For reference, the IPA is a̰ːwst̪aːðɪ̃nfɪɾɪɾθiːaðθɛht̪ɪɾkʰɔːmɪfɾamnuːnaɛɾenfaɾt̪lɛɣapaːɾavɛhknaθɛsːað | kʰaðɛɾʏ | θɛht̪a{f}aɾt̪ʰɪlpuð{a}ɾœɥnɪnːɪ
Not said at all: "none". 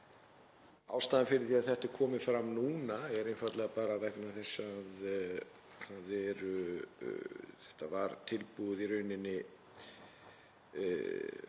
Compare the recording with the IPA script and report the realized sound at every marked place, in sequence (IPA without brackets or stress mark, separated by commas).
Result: v, i